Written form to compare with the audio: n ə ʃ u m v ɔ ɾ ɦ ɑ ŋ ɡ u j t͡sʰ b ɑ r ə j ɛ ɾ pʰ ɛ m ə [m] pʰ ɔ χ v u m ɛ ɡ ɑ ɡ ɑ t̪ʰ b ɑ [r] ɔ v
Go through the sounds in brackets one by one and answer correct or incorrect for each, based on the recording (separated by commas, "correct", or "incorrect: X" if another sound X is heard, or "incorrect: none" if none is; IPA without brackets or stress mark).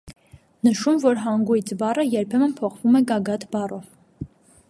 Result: incorrect: n, correct